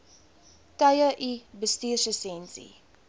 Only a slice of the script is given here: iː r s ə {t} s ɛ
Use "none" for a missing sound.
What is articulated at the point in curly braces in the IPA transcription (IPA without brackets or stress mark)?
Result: none